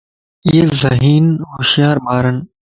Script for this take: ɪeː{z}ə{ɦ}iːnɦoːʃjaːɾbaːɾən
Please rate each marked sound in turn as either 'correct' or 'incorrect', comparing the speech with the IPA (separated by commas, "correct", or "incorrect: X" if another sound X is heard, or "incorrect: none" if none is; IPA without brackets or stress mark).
correct, correct